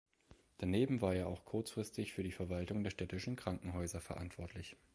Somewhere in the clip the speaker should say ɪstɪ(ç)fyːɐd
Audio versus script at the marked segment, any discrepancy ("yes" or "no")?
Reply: no